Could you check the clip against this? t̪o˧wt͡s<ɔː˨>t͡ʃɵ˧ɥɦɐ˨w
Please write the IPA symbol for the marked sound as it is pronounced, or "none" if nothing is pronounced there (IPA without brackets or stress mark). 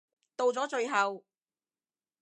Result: ɔː˨˥